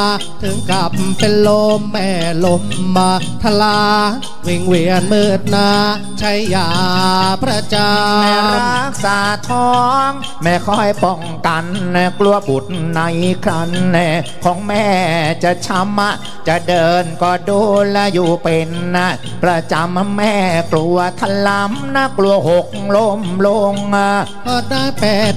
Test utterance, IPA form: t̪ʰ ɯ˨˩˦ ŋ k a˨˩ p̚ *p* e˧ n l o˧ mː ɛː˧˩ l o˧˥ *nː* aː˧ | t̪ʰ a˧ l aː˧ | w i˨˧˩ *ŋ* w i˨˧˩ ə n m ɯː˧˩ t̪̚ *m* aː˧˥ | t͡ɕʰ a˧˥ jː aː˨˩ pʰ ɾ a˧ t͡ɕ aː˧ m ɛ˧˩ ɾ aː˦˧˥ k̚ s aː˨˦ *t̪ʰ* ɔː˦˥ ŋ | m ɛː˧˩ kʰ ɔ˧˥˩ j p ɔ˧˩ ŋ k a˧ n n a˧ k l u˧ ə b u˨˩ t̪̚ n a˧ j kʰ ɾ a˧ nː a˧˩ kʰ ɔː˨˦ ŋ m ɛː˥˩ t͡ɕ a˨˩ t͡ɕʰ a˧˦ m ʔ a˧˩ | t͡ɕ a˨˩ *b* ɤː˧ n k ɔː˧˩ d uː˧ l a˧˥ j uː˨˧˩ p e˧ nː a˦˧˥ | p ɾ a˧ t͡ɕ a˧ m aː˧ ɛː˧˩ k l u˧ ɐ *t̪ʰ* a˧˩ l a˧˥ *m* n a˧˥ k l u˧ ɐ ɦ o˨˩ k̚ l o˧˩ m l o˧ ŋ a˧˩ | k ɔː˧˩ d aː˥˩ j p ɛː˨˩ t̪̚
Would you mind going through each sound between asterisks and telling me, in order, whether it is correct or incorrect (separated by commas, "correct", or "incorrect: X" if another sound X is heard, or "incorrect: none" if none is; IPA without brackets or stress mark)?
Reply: correct, incorrect: mː, correct, incorrect: n, correct, incorrect: d, correct, correct